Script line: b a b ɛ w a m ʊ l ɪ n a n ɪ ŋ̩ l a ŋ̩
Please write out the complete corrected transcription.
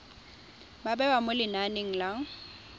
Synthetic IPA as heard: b a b ɛ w a m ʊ l ɪ n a n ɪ ŋ̩ l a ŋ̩